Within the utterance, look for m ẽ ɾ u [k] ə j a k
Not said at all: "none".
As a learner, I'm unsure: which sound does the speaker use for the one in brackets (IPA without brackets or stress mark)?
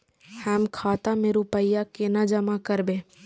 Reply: p